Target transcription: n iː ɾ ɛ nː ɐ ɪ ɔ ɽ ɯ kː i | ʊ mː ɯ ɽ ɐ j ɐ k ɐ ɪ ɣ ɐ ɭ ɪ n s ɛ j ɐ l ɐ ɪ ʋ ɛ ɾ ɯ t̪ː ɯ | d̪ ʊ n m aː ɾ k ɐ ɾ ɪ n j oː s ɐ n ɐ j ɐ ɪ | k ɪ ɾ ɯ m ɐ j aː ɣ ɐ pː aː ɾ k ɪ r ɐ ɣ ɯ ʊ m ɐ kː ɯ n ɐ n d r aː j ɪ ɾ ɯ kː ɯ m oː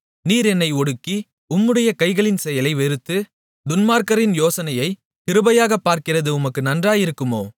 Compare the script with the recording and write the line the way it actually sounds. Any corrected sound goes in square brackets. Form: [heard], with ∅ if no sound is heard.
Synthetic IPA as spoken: n iː ɾ ɛ nː ɐ ɪ ɔ ɽ ɯ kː i | ʊ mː ɯ ɽ ɐ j ɐ k ɐ ɪ ɣ ɐ ɭ ɪ n s ɛ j ɐ l ɐ ɪ ʋ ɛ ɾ ɯ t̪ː ɯ | d̪ ʊ n m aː ɾ k ɐ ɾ ɪ n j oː s ɐ n ɐ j ɐ ɪ | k ɪ ɾ ɯ [b] ɐ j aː ɣ ɐ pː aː ɾ k ɪ r ɐ [ð] ɯ ʊ m ɐ kː ɯ n ɐ n d r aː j ɪ ɾ ɯ kː ɯ m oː